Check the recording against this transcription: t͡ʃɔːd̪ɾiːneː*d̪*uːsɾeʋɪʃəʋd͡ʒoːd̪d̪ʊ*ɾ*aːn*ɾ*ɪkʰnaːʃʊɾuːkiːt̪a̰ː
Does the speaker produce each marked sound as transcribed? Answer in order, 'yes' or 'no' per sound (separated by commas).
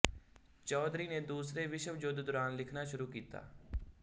yes, yes, no